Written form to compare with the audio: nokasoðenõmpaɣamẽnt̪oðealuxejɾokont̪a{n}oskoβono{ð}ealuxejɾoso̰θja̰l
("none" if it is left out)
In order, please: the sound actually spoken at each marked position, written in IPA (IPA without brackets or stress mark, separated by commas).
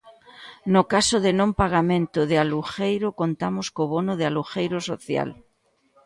m, ð